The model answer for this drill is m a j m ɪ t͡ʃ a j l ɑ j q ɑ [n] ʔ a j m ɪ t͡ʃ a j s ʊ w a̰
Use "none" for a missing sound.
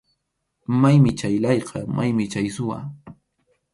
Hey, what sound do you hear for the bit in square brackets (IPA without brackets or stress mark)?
m